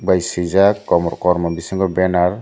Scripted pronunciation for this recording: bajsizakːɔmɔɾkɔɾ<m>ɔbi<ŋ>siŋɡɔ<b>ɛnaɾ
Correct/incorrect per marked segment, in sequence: correct, incorrect: none, correct

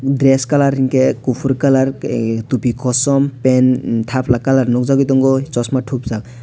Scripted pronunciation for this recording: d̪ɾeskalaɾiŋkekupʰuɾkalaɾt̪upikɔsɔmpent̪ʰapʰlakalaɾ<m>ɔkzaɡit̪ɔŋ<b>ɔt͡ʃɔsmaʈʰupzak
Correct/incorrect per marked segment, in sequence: incorrect: n, incorrect: ɡ

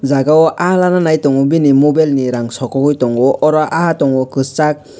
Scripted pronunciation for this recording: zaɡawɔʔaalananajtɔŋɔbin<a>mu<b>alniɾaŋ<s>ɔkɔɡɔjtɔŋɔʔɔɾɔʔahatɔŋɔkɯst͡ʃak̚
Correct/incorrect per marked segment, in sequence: incorrect: i, correct, correct

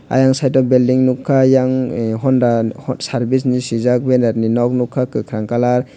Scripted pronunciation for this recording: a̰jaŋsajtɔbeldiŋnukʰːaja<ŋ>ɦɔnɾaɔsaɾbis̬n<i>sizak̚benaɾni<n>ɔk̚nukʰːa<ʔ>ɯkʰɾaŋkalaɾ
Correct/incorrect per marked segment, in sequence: correct, correct, correct, incorrect: k

